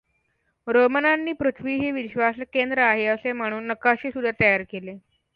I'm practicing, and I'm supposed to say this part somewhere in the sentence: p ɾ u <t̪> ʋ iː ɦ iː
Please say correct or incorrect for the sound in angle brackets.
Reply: incorrect